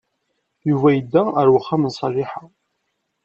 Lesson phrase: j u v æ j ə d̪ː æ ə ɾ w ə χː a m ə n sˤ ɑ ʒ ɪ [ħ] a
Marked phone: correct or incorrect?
correct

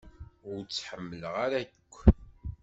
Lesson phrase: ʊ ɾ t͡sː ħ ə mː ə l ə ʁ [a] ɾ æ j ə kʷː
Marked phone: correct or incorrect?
correct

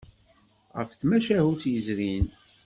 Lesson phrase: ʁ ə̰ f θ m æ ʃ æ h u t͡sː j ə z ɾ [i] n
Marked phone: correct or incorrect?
correct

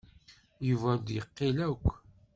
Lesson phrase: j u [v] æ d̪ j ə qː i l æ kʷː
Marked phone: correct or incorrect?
correct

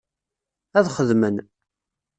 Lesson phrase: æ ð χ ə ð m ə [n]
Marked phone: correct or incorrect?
correct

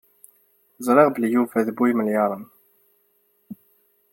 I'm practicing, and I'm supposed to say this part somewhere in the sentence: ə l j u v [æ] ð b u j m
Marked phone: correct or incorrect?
correct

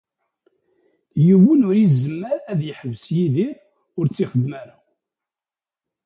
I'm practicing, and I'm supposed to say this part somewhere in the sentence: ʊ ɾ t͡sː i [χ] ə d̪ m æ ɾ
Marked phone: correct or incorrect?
correct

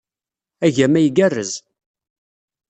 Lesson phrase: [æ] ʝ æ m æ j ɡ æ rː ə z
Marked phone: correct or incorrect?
correct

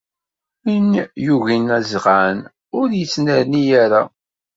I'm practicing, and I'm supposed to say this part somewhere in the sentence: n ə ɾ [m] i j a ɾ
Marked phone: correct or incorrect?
incorrect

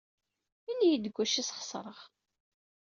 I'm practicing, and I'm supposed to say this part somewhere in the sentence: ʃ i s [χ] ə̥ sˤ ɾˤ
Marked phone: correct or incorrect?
correct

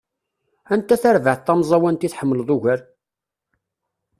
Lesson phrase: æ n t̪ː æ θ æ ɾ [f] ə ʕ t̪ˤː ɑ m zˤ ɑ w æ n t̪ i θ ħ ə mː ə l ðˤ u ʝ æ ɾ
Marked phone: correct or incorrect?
incorrect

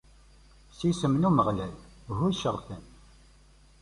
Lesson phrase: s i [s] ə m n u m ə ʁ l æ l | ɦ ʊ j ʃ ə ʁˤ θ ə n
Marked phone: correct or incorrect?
correct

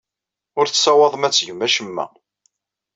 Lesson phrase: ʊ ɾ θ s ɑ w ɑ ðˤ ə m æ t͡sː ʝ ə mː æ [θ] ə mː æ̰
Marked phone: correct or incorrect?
incorrect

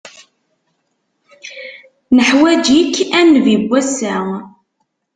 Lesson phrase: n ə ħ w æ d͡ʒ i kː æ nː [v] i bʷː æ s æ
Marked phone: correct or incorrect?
correct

